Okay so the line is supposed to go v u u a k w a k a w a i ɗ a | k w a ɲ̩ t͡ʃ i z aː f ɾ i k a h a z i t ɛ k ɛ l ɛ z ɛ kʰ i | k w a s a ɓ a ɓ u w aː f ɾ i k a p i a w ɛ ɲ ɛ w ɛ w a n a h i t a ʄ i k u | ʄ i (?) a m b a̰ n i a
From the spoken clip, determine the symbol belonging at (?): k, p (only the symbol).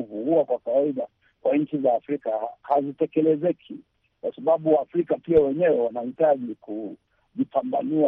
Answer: p